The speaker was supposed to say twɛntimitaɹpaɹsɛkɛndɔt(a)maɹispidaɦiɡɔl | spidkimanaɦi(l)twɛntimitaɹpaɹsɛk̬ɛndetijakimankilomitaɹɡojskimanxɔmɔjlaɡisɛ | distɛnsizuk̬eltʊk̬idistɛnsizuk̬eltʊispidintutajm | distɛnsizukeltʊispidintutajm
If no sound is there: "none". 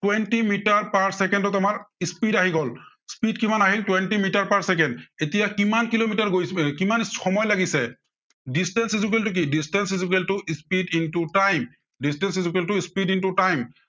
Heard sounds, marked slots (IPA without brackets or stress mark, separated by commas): a, l